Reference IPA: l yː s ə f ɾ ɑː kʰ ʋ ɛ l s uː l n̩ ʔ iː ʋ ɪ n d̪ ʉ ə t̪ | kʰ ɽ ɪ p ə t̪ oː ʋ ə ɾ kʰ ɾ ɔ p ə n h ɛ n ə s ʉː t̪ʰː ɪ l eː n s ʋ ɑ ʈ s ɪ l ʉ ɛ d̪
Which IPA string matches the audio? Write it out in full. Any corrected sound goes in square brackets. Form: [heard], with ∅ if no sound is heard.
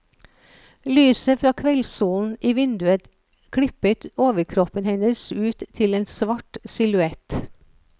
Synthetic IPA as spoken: l yː s ə f ɾ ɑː kʰ ʋ ɛ l s uː l n̩ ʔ iː ʋ ɪ n d̪ ʉ ə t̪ | kʰ ɽ ɪ p ə t̪ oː ʋ ə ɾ kʰ ɾ ɔ p ə n h ɛ n ə s ʉː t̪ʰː ɪ l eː n s ʋ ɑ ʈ s ɪ l ʉ ɛ [t̪]